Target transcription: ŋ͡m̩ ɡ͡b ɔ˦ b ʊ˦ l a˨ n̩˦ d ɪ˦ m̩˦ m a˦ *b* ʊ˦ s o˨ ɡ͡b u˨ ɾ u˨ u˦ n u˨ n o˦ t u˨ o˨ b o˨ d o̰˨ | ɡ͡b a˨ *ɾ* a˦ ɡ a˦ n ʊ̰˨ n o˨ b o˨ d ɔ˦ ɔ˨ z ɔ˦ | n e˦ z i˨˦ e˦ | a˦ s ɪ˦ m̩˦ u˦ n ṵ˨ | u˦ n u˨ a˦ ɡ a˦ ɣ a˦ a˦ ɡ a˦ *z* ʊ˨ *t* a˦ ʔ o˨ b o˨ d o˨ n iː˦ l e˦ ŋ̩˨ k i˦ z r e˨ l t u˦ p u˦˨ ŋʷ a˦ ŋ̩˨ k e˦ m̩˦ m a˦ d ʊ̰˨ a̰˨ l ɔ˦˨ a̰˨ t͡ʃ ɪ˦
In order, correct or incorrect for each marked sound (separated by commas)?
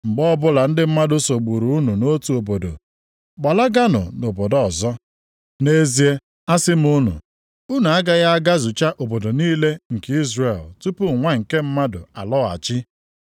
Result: incorrect, incorrect, correct, incorrect